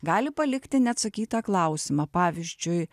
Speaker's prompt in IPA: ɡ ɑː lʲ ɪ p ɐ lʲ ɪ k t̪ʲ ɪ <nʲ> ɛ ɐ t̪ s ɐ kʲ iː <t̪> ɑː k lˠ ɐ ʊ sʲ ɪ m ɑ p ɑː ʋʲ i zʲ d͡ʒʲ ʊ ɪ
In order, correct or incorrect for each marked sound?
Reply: correct, correct

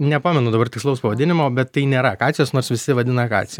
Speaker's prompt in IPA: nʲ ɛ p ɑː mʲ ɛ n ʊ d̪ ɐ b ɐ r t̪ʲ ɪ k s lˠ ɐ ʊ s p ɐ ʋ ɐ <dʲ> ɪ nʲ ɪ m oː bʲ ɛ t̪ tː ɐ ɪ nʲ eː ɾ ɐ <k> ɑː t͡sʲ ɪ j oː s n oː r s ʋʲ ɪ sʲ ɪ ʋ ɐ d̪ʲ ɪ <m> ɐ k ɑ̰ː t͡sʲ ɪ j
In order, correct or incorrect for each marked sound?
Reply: correct, correct, incorrect: n

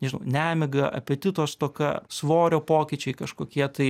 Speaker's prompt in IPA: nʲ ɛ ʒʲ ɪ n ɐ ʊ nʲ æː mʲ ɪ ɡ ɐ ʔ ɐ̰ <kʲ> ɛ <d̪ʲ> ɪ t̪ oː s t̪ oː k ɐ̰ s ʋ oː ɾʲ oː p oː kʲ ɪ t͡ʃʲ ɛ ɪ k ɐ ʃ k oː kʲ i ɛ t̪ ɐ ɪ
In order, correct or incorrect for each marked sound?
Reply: incorrect: pʲ, incorrect: t̪ʲ

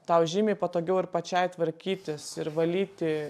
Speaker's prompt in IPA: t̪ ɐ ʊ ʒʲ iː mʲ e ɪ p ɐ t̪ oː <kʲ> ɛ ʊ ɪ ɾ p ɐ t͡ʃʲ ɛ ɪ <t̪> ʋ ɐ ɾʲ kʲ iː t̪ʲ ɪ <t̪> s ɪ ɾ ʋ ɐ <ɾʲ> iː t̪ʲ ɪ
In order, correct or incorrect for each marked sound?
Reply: incorrect: ɡʲ, correct, incorrect: none, incorrect: lʲ

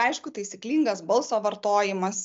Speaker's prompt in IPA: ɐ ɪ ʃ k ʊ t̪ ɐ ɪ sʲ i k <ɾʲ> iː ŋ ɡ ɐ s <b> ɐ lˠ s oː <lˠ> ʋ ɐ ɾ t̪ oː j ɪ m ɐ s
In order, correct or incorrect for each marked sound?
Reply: incorrect: lʲ, correct, incorrect: none

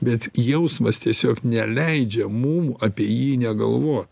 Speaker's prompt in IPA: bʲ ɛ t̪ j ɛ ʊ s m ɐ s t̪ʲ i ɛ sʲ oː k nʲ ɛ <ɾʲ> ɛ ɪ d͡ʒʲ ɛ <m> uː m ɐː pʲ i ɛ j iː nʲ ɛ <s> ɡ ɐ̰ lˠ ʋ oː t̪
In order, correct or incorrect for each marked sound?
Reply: incorrect: lʲ, correct, incorrect: none

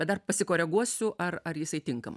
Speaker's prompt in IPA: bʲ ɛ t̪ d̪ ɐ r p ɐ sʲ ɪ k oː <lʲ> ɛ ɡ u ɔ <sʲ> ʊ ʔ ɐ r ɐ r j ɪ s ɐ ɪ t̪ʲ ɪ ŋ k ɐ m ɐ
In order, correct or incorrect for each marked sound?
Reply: incorrect: ɾʲ, correct

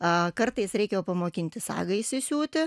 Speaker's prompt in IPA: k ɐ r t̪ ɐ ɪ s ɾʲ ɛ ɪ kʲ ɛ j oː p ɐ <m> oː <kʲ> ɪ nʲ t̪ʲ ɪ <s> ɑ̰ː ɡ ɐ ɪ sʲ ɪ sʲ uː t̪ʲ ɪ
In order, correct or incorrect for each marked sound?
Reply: correct, correct, correct

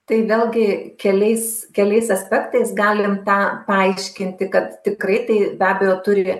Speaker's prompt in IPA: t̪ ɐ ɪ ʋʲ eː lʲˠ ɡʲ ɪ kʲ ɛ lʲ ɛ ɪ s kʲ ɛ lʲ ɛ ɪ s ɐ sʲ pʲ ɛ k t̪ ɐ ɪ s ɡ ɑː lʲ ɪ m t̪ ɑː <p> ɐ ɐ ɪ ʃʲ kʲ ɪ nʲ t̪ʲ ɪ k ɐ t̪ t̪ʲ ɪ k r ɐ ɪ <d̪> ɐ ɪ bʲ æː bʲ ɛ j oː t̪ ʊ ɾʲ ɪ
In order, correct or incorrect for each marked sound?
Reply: correct, incorrect: t̪

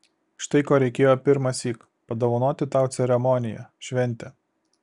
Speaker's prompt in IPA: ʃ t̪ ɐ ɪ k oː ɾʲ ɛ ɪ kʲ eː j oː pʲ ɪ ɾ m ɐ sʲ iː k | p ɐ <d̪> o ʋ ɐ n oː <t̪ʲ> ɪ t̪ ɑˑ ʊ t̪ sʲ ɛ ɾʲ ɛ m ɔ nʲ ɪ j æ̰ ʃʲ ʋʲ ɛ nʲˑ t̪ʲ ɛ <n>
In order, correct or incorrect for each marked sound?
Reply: correct, correct, incorrect: none

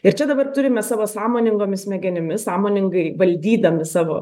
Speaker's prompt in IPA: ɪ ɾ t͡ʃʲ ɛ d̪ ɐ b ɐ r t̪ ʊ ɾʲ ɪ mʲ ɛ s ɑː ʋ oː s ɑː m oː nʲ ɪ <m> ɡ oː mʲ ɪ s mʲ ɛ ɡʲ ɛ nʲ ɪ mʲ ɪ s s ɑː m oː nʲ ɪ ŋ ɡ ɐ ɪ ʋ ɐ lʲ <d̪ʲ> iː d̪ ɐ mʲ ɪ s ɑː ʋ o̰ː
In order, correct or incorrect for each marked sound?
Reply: incorrect: ŋ, correct

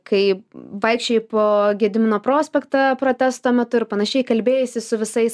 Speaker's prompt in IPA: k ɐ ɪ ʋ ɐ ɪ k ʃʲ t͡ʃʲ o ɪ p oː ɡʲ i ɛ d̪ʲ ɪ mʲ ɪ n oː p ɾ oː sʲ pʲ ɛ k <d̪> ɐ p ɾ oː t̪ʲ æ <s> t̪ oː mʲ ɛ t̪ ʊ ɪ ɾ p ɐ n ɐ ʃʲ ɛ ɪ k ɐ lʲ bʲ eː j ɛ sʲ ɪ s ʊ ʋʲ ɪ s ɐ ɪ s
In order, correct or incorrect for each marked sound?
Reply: incorrect: t̪, correct

